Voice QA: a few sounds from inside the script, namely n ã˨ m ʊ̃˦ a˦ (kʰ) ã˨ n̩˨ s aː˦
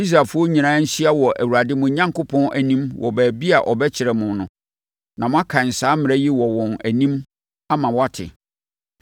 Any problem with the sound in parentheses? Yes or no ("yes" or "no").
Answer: no